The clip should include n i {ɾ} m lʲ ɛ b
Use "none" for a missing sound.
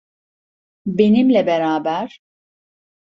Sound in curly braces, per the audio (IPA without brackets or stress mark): none